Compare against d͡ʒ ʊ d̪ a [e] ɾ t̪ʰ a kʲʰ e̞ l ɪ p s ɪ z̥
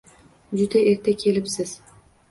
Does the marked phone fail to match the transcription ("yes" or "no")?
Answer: no